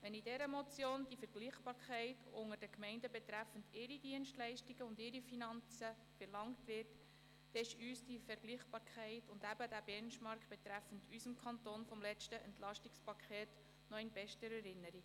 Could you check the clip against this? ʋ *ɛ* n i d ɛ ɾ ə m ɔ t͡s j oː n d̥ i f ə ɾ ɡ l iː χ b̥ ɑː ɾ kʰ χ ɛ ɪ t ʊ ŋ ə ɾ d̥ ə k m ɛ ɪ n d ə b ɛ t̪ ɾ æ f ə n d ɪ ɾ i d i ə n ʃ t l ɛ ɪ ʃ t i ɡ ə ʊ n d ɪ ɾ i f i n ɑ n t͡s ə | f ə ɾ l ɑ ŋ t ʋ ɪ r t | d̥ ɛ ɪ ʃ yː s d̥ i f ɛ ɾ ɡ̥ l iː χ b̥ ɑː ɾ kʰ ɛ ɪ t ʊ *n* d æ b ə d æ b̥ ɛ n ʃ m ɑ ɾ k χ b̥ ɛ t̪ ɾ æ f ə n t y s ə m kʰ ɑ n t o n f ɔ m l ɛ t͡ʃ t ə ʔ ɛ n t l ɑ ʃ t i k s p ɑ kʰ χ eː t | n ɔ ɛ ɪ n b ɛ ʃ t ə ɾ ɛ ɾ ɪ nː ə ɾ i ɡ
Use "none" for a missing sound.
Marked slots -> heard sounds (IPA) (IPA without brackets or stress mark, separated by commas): ɛ, n